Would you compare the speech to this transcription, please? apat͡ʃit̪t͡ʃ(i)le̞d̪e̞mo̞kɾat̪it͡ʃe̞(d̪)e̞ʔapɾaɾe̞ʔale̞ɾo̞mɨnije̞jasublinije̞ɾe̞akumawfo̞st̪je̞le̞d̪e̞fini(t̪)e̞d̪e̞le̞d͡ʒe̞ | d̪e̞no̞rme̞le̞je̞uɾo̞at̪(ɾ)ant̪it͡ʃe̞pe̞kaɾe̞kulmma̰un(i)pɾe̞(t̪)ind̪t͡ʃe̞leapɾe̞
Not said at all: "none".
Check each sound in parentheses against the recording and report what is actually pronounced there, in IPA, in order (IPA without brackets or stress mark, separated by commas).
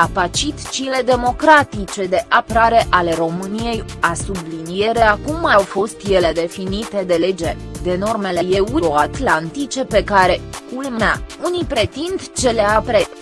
i, d̪, t̪, l, i, t̪